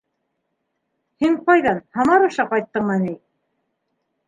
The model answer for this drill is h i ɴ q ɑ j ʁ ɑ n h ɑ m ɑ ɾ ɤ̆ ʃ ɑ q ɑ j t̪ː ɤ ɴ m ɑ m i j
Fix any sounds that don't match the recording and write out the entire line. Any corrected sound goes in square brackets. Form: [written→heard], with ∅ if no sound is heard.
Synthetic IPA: h i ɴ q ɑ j [ʁ→ð] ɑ n h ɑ m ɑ ɾ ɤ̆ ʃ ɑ q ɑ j t̪ː ɤ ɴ m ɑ [m→n] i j